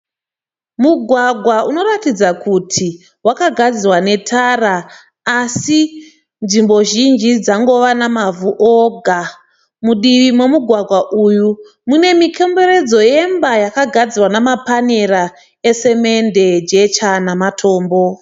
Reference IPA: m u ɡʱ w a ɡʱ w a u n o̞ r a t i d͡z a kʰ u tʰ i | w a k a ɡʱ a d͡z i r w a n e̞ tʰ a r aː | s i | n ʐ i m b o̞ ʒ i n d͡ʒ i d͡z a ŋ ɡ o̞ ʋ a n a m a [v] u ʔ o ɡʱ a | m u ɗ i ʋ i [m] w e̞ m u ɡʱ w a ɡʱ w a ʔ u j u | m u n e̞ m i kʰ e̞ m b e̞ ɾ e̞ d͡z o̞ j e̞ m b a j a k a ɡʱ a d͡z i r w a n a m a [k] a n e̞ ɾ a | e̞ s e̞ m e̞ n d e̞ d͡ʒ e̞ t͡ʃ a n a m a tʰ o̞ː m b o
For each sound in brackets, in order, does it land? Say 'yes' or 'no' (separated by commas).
yes, yes, no